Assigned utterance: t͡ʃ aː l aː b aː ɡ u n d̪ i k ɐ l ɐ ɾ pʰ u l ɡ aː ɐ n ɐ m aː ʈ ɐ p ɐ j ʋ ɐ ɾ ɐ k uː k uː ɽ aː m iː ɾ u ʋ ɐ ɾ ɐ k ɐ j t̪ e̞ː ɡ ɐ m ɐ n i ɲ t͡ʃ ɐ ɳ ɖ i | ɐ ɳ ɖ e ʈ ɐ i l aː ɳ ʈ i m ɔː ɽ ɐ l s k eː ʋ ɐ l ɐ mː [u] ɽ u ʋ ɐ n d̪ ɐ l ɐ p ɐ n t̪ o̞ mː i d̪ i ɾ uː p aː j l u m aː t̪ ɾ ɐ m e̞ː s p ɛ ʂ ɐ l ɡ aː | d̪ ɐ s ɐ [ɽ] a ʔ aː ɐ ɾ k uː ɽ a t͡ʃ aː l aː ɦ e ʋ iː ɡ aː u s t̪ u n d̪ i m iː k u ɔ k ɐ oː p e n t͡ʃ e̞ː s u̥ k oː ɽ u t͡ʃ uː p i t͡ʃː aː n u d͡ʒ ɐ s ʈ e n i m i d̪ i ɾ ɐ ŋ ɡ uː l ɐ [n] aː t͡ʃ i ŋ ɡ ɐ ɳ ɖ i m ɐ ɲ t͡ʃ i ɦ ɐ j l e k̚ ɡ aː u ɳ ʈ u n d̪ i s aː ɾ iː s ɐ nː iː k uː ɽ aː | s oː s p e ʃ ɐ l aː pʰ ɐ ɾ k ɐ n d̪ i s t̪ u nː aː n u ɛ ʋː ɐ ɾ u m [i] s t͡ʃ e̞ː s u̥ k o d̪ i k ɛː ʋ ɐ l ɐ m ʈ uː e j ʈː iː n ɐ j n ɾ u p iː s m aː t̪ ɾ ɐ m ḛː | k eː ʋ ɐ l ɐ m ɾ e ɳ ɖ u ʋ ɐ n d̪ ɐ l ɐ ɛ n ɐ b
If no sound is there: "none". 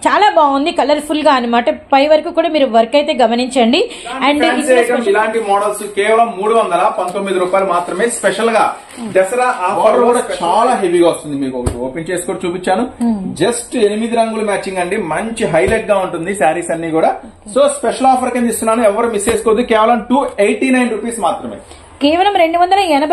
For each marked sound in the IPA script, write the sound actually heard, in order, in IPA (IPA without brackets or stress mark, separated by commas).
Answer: uː, ɾ, m, i